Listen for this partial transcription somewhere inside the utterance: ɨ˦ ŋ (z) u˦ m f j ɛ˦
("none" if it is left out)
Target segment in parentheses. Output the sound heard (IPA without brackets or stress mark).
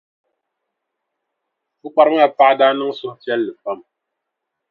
s